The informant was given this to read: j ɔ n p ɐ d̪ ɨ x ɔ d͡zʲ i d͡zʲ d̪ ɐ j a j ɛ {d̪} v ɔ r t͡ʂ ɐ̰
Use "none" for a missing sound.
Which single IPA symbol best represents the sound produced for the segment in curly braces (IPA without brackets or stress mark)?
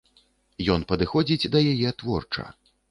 t̪